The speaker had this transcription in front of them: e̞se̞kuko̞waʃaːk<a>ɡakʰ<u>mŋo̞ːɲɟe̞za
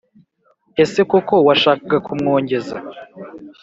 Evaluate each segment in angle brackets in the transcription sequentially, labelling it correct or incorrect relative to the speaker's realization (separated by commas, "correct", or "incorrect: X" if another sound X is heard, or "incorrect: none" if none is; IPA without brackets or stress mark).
correct, correct